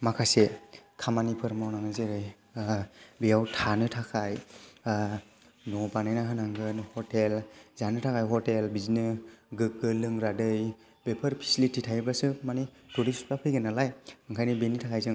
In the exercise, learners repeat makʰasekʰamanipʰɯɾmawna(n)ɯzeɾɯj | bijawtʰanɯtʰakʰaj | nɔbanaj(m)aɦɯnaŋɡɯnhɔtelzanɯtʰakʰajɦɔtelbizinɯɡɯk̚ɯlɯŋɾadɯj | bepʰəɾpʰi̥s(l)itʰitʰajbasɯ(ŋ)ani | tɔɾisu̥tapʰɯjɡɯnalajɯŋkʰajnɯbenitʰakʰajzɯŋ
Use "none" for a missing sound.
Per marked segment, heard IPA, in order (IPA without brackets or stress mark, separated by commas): ŋ, n, l, m